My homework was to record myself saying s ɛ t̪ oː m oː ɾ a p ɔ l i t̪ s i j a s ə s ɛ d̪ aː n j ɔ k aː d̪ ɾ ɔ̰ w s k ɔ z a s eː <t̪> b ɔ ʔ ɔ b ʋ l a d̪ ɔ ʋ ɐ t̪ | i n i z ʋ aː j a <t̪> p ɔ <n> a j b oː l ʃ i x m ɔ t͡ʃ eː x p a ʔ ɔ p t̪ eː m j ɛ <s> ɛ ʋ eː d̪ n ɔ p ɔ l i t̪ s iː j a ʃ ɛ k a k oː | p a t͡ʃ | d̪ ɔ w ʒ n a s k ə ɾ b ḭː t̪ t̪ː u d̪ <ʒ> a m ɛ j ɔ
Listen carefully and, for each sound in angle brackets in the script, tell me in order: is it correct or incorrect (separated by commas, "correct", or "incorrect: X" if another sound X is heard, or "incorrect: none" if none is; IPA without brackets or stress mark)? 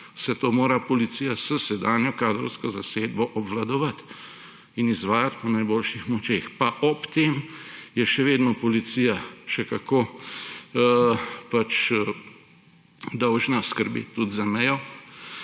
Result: incorrect: d̪, correct, correct, incorrect: ʃ, incorrect: z